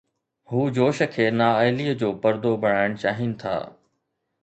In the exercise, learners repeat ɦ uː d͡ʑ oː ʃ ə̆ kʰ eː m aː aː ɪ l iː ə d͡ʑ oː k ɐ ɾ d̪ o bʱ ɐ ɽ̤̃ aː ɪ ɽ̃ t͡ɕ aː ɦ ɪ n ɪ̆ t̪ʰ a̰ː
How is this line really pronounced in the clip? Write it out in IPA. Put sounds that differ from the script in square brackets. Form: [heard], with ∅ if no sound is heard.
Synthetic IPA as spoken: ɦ uː d͡ʑ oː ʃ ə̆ kʰ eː [n] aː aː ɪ l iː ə d͡ʑ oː [p] ɐ ɾ d̪ o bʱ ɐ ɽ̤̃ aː ɪ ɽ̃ t͡ɕ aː ɦ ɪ n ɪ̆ t̪ʰ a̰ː